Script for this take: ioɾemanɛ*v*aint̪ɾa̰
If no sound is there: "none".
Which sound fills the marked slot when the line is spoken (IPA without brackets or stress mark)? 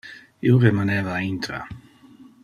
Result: v